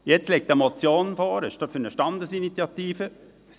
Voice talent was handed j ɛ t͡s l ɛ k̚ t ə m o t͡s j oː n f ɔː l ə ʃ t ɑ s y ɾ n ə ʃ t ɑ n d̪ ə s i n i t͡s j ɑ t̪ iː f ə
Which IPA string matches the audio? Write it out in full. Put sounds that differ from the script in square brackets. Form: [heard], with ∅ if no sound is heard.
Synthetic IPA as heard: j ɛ t͡s l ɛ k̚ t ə m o t͡s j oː n f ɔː [ɾ] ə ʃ t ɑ [f] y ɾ n ə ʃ t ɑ n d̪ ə s i n i t͡s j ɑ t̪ iː f ə